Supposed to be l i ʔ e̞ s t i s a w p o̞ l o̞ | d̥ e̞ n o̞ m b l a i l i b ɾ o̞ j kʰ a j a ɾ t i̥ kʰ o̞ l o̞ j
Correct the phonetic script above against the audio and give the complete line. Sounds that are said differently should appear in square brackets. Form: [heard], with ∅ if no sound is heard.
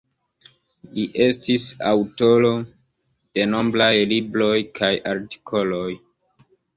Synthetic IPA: l i ʔ e̞ s t i s a w [t] o̞ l o̞ | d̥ e̞ n o̞ m b l a [j] l i b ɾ o̞ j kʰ a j a ɾ t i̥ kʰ o̞ l o̞ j